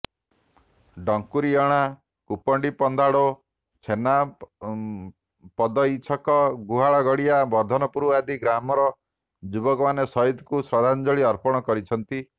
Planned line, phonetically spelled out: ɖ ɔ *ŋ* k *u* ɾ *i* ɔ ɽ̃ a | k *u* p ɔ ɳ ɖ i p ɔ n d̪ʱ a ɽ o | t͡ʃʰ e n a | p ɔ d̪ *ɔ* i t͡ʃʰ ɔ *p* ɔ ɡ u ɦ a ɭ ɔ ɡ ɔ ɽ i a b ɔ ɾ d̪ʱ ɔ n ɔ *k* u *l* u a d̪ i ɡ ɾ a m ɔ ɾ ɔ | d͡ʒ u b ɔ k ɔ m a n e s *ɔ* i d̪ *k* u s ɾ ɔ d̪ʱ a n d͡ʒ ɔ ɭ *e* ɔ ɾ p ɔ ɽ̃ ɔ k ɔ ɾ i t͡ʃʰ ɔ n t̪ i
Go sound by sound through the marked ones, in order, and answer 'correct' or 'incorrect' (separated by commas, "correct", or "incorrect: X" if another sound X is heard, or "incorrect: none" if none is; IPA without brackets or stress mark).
correct, correct, correct, correct, correct, incorrect: k, incorrect: p, incorrect: ɾ, correct, correct, incorrect: i